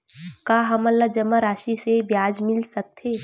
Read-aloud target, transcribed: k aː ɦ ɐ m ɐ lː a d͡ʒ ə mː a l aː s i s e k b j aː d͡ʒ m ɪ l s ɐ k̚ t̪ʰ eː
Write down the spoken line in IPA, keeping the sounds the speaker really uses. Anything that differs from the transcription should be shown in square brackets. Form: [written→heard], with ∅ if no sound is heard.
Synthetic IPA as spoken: k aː ɦ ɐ m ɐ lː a d͡ʒ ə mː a [l→ɾ] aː [s→ʃ] i s e [k→∅] b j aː d͡ʒ m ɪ l s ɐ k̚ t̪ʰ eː